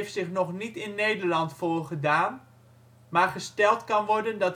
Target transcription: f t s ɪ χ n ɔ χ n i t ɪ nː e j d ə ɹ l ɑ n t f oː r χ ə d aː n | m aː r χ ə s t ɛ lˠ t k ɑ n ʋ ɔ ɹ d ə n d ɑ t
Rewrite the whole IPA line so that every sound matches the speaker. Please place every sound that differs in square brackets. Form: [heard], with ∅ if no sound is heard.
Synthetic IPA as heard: f t s ɪ χ n ɔ χ n i t ɪ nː e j d ə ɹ l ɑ n t f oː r χ ə d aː n | m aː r χ ə s t ɛ lˠ t k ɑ n ʋ ɔ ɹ d ə n d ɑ t